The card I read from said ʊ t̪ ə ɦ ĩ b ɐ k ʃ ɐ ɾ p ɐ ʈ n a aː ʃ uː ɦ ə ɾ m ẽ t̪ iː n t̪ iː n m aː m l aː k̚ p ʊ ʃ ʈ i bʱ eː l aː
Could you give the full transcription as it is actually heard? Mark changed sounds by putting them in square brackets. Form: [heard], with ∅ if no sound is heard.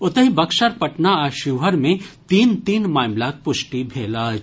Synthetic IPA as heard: ʊ t̪ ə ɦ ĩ b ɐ k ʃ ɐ ɾ p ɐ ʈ n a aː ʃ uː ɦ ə ɾ m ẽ t̪ iː n t̪ iː n m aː m l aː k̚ p ʊ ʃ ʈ i bʱ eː l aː